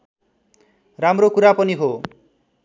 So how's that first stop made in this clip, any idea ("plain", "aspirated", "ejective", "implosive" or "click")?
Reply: plain